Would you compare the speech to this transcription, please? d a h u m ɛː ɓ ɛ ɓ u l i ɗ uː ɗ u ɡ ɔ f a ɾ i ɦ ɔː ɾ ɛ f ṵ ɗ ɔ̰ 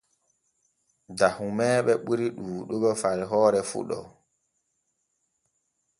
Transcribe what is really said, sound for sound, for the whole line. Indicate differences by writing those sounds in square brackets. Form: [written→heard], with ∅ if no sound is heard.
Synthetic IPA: d a h u m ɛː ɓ ɛ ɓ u [l→ɾ] i ɗ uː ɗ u ɡ ɔ f a ɾ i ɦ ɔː ɾ ɛ f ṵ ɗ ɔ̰